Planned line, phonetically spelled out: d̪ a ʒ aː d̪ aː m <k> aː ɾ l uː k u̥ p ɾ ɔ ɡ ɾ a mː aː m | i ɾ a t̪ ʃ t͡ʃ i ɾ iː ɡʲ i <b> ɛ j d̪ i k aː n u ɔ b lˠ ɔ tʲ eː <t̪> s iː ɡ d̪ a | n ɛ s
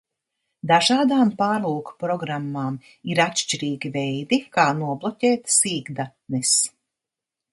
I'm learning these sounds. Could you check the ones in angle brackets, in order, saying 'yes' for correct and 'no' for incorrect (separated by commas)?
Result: no, no, yes